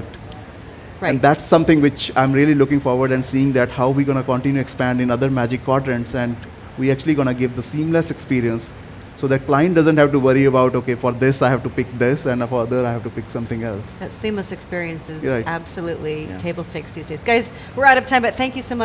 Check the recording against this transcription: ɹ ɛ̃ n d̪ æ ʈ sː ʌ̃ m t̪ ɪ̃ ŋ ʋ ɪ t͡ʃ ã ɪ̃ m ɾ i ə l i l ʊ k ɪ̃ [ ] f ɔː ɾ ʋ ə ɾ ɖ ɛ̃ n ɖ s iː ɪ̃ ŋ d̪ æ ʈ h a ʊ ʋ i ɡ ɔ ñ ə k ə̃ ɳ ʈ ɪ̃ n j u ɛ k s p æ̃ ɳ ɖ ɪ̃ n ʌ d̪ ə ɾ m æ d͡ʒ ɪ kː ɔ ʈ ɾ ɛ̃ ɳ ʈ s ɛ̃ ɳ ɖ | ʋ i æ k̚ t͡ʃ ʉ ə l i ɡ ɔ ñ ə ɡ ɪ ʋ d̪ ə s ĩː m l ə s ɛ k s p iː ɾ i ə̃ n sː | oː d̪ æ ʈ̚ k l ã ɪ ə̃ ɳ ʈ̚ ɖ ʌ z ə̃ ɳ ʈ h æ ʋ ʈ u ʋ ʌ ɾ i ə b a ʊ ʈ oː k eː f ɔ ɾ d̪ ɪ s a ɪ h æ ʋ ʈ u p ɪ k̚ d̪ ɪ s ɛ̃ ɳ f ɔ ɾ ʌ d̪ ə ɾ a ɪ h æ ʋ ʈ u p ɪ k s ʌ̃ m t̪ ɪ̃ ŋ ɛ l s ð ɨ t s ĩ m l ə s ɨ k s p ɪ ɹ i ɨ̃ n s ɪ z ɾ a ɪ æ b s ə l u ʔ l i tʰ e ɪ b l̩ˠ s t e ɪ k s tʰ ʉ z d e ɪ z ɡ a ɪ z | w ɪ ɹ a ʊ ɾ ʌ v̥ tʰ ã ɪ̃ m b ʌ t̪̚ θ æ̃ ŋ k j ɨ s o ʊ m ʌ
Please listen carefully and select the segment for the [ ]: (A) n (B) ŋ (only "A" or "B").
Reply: B